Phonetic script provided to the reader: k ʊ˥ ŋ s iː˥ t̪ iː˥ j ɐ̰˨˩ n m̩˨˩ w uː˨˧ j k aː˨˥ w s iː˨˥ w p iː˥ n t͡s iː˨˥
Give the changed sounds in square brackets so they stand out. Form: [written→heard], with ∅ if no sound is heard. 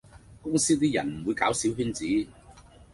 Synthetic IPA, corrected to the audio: k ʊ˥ ŋ s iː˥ t̪ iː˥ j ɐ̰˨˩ n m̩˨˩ w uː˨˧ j k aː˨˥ w s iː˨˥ w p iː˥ n t͡s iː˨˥

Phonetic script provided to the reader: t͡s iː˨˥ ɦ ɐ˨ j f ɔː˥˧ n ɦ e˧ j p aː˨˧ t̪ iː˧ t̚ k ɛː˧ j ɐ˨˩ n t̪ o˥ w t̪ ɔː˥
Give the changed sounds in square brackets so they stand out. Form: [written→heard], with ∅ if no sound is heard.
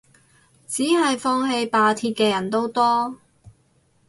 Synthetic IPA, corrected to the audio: t͡s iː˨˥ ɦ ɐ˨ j f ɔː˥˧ [n→ŋ] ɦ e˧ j p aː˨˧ [t̪→t̪ʰ] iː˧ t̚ k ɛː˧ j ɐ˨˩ n t̪ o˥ w t̪ ɔː˥

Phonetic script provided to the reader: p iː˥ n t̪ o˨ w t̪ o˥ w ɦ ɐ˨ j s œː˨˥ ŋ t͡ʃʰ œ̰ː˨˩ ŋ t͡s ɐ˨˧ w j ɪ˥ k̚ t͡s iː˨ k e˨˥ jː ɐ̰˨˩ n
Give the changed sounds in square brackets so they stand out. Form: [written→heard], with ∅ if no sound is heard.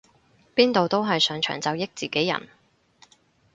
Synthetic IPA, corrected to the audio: p iː˥ n t̪ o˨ w t̪ o˥ w ɦ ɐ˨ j s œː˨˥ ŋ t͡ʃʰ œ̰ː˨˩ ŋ t͡s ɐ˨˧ w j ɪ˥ k̚ t͡s iː˨ k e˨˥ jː ɐ̰˨˩ n

